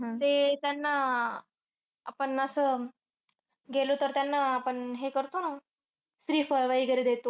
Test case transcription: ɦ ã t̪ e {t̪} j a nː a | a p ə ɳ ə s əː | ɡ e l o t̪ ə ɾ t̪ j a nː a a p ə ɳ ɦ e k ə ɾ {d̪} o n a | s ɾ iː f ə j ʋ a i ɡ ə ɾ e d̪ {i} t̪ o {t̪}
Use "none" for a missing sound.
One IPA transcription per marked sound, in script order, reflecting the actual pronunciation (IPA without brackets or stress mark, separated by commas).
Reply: t̪, t̪, e, none